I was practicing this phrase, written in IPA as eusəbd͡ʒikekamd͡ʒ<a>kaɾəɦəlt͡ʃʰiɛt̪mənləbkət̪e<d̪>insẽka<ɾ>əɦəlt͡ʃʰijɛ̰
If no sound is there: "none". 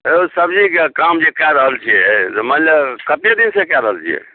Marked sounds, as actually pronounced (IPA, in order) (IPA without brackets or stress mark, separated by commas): e, d̪, ɾ